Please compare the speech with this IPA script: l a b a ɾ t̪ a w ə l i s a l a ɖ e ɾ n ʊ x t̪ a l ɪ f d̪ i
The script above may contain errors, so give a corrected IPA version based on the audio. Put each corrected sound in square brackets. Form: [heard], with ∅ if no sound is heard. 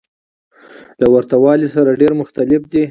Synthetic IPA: l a [w] a ɾ t̪ a w [ɑ] l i s a [ɾ] a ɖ e ɾ [m] ʊ x t̪ a l ɪ f d̪ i